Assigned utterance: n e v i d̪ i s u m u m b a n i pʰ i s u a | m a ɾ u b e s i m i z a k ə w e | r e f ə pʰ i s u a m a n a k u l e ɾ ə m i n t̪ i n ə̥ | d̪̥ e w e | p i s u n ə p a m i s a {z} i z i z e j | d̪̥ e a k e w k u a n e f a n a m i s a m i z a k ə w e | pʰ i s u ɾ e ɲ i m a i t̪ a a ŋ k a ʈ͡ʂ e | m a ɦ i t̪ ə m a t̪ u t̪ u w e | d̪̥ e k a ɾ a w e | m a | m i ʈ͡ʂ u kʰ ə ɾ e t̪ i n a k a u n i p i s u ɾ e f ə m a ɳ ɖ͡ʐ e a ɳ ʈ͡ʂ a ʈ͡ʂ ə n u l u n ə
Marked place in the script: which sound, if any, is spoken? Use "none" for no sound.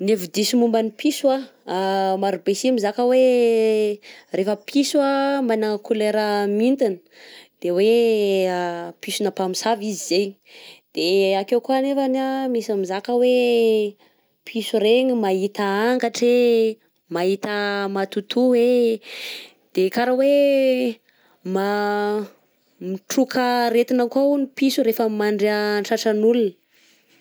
v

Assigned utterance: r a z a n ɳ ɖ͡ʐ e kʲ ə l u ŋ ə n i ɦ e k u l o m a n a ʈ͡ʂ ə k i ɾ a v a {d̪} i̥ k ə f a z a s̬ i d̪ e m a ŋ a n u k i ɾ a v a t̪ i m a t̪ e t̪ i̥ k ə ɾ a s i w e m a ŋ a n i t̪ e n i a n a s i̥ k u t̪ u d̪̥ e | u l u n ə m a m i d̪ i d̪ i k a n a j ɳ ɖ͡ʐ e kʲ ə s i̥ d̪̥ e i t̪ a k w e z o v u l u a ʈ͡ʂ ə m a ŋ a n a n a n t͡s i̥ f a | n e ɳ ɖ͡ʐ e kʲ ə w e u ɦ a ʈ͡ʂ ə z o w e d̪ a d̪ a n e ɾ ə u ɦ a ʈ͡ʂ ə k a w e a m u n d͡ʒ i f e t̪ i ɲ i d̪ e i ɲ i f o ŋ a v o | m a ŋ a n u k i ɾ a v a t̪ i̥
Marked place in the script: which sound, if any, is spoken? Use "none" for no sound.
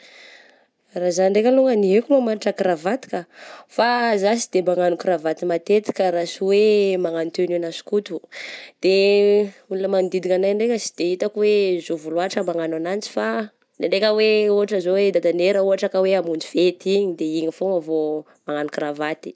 t̪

